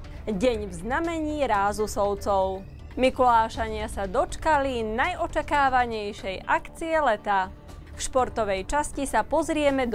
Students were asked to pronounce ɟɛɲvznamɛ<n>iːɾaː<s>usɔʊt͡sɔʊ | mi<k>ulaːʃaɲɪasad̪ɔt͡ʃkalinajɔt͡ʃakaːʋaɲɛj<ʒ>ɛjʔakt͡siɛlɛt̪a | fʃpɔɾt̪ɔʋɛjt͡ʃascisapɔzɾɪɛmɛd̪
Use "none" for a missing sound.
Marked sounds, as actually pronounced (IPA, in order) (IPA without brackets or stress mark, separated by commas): ɲ, z, k, ʃ